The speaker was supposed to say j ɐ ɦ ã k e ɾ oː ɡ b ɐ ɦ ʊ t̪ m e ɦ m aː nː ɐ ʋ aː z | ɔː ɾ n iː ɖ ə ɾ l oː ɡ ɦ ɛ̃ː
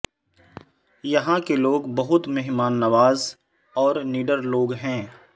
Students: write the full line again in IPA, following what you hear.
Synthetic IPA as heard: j ɐ ɦ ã k e l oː ɡ b ɐ ɦ ʊ t̪ m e ɦ m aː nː ɐ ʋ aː z | ɔː ɾ n iː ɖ ə ɾ l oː ɡ ɦ ɛ̃ː